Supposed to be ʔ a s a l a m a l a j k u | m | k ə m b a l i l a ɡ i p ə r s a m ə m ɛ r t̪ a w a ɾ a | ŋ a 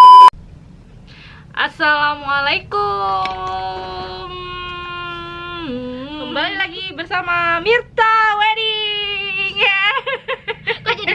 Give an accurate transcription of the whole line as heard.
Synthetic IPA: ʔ a s a l a m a l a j k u | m | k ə m b a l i l a ɡ i b ə r s a m a m i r t̪ a w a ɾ i | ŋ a